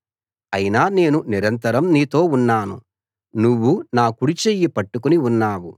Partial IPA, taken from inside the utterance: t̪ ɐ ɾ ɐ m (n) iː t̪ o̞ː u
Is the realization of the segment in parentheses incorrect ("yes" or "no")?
no